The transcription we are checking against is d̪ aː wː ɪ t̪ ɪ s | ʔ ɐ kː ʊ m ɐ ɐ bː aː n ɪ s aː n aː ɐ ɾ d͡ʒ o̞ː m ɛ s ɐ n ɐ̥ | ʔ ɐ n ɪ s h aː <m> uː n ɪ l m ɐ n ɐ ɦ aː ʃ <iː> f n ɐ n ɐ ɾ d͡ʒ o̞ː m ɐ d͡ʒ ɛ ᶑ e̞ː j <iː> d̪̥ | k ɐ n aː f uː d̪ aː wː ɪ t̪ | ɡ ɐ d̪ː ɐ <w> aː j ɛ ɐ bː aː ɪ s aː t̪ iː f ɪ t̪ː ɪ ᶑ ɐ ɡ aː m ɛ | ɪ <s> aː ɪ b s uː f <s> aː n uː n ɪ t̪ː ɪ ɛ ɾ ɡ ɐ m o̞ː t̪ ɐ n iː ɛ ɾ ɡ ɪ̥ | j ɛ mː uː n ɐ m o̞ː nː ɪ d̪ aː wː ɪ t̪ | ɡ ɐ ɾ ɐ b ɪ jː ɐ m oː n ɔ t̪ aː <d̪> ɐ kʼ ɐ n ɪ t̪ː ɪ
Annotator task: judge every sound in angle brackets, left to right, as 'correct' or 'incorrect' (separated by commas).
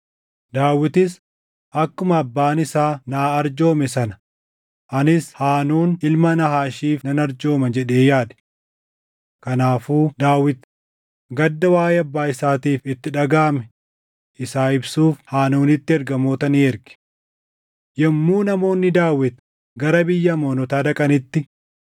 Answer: incorrect, correct, incorrect, correct, correct, incorrect, correct